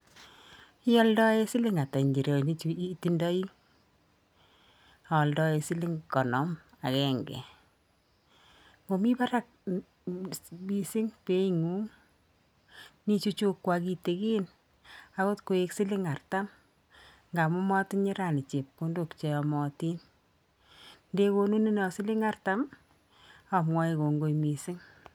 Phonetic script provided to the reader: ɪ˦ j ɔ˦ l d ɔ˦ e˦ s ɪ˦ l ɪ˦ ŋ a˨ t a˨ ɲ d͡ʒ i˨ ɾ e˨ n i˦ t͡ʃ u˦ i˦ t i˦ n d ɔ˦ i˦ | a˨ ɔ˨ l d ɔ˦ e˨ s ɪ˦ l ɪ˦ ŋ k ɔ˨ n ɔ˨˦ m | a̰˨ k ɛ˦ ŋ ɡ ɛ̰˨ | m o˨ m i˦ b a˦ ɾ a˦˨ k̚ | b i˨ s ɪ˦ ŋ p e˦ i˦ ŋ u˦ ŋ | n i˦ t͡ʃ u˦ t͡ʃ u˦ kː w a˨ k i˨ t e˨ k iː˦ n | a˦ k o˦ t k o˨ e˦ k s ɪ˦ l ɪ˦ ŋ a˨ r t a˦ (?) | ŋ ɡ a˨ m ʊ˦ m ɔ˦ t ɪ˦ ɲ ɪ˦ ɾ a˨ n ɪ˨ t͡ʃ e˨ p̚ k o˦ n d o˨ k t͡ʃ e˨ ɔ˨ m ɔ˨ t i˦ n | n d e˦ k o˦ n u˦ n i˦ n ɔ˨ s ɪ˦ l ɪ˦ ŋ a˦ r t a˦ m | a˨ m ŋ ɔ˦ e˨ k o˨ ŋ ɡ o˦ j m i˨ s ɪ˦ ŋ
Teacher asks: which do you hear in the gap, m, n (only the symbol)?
m